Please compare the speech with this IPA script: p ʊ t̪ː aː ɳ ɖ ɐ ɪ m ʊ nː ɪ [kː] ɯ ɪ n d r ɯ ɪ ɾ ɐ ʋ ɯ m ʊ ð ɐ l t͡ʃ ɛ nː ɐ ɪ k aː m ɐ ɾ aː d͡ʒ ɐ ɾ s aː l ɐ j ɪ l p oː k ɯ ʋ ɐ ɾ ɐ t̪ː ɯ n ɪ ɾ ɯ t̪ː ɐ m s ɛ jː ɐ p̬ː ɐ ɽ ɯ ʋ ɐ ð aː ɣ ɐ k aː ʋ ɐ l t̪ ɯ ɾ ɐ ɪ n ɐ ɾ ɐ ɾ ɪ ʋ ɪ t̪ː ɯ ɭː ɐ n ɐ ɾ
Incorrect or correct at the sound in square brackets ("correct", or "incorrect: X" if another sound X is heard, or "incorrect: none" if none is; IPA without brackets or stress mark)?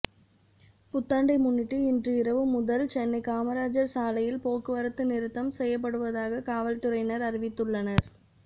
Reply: incorrect: ʈː